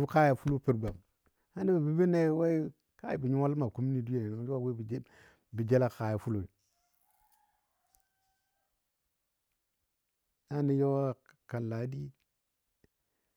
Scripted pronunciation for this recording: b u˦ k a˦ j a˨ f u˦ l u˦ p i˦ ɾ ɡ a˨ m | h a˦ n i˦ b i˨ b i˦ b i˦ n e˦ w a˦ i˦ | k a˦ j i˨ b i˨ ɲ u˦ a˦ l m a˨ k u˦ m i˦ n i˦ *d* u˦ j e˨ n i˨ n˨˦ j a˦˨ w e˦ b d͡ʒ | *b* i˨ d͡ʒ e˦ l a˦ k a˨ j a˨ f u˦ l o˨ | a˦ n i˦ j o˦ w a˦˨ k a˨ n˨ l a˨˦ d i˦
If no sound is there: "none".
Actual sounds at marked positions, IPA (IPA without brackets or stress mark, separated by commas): d, b